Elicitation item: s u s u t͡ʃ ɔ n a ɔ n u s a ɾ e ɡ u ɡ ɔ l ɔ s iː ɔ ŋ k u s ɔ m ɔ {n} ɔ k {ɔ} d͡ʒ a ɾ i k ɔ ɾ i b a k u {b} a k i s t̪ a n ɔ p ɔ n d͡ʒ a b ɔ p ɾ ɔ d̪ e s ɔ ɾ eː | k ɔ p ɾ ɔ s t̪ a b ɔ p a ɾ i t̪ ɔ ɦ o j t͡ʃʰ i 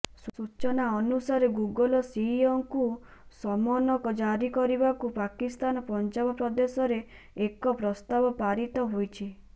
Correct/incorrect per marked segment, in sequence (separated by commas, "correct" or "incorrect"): correct, correct, incorrect